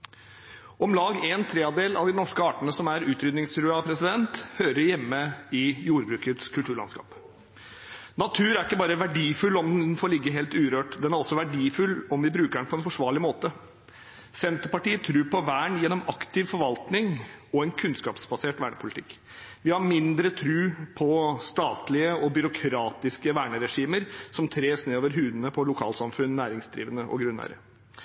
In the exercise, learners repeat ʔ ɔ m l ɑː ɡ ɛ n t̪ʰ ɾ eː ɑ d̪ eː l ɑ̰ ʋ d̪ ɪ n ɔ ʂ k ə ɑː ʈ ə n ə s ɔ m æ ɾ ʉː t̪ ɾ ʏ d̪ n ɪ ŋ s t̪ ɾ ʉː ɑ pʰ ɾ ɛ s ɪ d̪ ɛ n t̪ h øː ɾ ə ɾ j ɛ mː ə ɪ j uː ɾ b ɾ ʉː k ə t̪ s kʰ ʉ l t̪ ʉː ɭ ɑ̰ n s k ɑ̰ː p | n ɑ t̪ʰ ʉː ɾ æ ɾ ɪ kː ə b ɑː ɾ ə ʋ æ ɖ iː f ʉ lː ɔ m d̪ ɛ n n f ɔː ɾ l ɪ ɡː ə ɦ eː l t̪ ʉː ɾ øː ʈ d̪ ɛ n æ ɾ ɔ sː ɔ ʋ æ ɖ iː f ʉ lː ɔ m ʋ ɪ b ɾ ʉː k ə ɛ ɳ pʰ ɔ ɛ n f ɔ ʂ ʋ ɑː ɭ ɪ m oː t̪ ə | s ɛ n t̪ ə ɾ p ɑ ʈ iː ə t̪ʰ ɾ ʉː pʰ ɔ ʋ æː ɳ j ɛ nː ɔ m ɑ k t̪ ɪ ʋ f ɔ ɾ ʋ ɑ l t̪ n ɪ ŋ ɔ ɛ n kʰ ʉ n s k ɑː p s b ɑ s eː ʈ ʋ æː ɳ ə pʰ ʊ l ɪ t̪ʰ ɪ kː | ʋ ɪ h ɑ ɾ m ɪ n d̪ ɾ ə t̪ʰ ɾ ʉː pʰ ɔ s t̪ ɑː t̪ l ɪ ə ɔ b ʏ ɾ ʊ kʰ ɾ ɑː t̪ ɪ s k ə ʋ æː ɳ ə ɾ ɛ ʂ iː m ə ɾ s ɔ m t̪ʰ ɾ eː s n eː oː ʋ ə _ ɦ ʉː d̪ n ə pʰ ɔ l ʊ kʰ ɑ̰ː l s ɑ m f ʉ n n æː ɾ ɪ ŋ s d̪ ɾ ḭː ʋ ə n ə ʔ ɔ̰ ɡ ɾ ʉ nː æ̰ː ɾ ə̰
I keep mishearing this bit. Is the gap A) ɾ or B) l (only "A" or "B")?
A